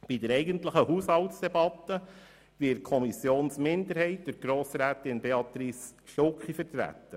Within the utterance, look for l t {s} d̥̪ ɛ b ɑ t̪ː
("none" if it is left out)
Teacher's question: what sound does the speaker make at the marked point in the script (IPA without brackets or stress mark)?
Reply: s